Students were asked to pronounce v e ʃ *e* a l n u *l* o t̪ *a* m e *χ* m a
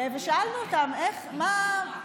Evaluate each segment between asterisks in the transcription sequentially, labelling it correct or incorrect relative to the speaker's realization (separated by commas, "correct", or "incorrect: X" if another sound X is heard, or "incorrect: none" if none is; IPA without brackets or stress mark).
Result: incorrect: a, incorrect: none, correct, correct